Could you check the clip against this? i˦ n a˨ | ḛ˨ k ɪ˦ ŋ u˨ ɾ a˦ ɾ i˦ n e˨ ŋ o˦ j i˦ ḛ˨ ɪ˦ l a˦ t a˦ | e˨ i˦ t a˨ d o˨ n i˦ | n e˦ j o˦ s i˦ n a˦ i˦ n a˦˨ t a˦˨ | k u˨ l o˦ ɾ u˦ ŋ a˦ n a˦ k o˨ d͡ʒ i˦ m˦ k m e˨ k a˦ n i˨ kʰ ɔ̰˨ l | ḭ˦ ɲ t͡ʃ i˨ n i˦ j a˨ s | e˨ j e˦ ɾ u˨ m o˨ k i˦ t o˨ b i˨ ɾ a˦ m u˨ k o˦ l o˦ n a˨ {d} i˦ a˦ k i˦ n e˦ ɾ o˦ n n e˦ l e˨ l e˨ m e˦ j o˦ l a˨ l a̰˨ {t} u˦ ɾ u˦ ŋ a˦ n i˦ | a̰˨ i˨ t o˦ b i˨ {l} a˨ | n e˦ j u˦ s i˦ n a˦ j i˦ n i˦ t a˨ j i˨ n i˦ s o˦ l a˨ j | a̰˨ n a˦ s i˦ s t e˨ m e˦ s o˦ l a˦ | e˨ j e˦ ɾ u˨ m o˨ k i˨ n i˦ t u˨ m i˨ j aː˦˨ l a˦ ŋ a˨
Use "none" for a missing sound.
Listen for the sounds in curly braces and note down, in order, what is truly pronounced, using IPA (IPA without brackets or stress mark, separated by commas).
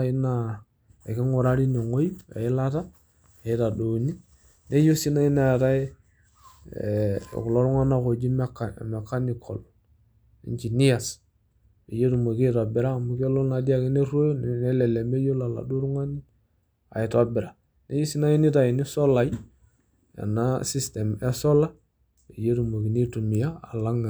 d, d, ɾ